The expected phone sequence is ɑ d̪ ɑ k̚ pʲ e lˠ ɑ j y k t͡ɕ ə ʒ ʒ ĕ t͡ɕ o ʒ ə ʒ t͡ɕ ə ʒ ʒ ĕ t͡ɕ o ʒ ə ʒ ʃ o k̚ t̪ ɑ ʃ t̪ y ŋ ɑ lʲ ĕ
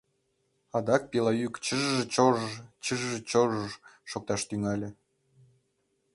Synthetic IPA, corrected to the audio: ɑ d̪ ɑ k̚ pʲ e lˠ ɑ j y k t͡ɕ ə ʒ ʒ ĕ t͡ɕ o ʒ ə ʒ t͡ɕ ə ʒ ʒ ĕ t͡ɕ o ʒ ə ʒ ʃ o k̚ t̪ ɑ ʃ t̪ y ŋ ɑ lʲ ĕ